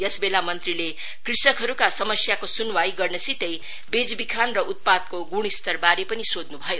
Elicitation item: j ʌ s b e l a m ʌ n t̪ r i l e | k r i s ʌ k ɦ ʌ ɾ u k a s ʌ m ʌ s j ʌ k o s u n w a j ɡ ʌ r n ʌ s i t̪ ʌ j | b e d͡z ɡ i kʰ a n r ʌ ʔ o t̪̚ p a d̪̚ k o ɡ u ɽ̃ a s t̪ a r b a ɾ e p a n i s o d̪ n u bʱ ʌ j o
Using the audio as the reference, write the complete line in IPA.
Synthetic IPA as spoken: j ʌ s b e l a m ʌ n t̪ r i l e | k r i s ʌ k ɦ ʌ ɾ u k a s ʌ m ʌ s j a k o s u n w a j ɡ ʌ r n ʌ s i t̪ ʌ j | b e d͡z b i kʰ a n r ʌ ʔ u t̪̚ p a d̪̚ k o ɡ u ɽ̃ i s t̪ ʌ r b a ɾ e p ʌ n i s o d̪ n u bʱ ʌ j o